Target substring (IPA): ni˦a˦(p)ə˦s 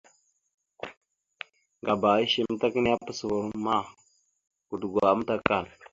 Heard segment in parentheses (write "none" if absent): p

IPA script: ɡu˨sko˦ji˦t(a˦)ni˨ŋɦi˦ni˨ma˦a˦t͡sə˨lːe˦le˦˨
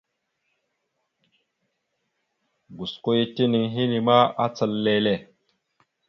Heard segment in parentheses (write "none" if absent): i˦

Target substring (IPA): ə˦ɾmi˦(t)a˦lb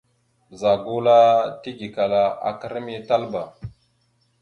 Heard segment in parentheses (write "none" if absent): t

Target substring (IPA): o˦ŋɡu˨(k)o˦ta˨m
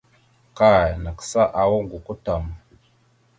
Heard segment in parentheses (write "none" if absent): k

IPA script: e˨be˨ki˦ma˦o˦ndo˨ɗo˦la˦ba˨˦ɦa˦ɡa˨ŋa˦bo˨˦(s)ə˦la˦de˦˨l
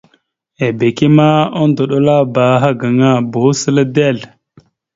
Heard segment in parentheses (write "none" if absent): s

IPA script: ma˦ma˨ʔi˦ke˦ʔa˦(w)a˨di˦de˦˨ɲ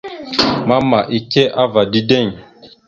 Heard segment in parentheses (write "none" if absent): v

